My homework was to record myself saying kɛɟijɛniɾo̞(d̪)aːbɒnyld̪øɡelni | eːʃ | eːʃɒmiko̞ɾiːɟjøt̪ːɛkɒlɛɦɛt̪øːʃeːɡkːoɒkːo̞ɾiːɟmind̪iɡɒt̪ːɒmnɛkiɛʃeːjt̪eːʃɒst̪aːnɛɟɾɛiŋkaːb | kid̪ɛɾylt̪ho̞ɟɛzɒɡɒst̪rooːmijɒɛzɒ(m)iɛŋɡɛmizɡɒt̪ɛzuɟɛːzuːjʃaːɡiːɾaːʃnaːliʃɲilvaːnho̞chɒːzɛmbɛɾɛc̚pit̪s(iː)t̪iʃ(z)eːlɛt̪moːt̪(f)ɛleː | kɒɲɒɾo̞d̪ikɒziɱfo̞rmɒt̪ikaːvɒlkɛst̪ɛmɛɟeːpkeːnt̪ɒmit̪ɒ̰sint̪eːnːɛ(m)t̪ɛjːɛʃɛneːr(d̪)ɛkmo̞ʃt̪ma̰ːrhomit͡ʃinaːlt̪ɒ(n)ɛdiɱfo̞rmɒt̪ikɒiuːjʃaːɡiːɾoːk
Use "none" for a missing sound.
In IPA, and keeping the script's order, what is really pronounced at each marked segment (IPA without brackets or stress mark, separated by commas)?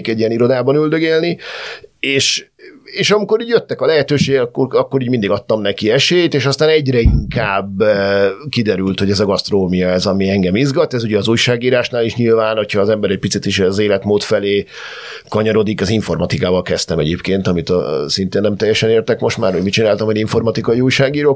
d̪, m, i, z, f, m, t̪, m